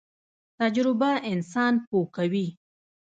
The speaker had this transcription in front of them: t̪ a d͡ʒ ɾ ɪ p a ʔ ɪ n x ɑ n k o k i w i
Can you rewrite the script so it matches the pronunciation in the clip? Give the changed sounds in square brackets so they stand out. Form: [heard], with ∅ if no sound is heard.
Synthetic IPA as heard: t̪ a d͡ʒ ɾ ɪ [b] a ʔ ɪ n [s] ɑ n [p] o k [a] w i